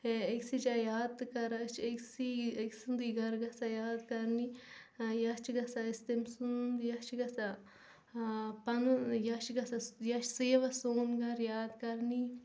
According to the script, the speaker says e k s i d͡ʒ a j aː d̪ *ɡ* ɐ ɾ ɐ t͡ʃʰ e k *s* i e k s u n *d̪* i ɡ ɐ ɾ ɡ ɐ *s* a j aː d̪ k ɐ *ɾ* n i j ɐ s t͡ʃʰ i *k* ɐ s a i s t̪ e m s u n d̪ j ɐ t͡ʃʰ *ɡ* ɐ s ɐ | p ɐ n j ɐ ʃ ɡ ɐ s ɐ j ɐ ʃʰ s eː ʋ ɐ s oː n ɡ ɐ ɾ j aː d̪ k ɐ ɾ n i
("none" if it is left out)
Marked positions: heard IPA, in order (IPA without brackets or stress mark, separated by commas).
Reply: k, s, d̪, s, ɾ, ɡ, ɡ